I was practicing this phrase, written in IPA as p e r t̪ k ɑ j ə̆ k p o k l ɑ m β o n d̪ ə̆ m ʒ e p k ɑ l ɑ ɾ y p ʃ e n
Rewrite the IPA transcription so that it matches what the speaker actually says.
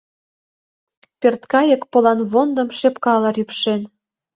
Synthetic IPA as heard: p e r t̪ k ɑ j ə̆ k p o l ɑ n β o n d̪ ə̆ m ʃ e p k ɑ l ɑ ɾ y p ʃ e n